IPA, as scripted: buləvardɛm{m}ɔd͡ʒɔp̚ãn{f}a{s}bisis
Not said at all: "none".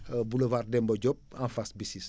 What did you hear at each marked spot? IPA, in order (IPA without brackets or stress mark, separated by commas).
b, f, s